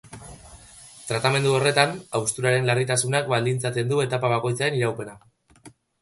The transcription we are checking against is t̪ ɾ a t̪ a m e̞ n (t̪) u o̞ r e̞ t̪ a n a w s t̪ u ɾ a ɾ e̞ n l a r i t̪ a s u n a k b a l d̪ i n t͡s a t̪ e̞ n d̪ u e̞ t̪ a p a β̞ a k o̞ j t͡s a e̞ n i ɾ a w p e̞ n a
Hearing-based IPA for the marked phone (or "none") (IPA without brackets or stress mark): d̪